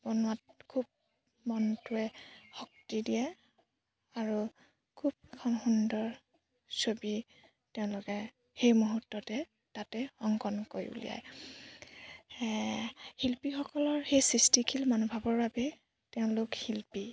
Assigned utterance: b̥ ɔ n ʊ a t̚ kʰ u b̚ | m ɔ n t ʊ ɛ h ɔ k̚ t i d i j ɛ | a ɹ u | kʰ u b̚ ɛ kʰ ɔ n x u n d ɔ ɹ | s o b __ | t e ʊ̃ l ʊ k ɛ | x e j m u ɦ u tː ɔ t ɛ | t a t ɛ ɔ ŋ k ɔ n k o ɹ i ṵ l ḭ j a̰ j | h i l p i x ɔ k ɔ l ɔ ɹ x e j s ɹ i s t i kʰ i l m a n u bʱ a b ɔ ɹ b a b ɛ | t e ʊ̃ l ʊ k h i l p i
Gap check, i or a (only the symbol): i